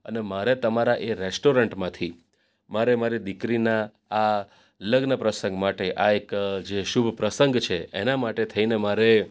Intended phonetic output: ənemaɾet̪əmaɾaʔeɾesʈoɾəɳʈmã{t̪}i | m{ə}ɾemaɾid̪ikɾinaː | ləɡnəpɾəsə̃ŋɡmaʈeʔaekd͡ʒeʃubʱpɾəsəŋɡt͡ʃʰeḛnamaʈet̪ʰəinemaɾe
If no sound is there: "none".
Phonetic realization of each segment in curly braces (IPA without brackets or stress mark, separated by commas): t̪ʰ, a